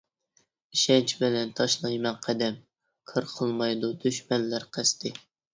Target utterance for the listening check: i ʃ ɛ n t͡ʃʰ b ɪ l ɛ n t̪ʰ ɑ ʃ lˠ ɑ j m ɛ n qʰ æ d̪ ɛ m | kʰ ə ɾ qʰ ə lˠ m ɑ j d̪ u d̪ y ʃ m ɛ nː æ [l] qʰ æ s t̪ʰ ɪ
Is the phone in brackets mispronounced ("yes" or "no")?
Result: yes